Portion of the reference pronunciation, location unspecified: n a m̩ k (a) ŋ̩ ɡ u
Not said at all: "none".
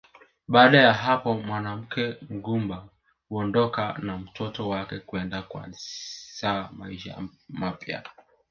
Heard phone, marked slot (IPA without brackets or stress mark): ɛ